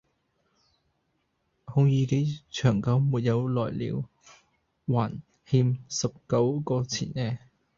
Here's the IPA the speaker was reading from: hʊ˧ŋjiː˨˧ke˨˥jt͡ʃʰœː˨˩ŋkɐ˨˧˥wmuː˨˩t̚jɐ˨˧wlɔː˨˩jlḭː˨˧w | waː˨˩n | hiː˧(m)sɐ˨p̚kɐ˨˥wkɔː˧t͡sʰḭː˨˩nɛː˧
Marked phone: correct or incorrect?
correct